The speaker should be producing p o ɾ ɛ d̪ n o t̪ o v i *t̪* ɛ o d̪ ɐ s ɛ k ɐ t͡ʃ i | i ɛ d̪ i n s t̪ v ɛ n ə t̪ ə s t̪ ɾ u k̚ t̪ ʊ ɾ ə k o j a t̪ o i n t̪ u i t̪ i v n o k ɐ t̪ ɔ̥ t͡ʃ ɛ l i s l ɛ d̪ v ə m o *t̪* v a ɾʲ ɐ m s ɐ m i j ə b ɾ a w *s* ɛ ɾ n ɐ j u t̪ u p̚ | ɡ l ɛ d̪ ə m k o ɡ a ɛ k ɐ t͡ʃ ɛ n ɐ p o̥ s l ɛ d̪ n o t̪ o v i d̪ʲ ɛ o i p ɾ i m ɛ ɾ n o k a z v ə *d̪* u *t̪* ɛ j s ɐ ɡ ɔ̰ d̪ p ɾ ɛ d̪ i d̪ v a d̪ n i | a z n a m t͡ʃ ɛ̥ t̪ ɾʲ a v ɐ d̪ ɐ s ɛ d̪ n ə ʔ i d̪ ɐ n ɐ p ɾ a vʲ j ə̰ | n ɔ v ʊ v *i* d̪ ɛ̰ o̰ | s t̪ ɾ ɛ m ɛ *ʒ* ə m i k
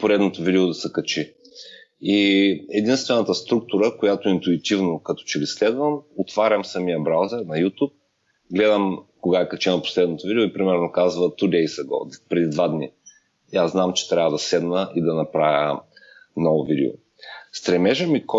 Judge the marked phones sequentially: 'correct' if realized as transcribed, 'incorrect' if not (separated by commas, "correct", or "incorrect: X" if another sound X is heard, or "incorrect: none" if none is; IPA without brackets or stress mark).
incorrect: d̪, correct, incorrect: z, incorrect: t̪, incorrect: d̪, correct, correct